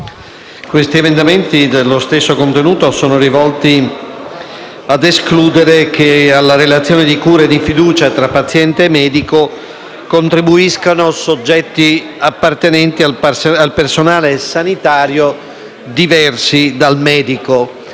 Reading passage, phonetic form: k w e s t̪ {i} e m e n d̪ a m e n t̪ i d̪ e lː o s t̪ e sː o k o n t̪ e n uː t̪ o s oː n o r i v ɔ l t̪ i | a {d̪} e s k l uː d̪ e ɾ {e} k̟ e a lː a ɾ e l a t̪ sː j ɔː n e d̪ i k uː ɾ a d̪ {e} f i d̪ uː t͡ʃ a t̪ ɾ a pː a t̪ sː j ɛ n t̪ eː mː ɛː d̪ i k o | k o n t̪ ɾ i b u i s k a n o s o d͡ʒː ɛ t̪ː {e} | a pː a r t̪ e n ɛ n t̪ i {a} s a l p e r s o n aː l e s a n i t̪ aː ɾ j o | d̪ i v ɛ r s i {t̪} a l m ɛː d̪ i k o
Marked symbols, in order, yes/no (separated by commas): yes, yes, yes, no, no, yes, no